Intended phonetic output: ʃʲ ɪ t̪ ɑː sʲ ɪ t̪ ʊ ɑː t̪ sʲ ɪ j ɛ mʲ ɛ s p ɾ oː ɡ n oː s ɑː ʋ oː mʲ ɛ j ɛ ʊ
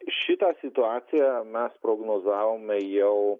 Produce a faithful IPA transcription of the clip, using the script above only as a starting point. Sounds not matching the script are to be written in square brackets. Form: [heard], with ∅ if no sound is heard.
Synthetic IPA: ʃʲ ɪ t̪ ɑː sʲ ɪ t̪ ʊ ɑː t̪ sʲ ɪ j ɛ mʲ ɛ s p ɾ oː ɡ n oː [z] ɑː ʋ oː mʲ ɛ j ɛ ʊ